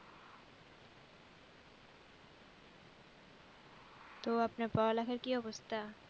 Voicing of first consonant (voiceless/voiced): voiceless